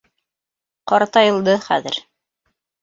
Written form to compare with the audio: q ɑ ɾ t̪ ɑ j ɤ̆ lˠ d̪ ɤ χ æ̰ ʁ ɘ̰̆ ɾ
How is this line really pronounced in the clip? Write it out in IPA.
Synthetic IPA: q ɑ ɾ t̪ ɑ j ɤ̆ lˠ d̪ ɤ χ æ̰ ð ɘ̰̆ ɾ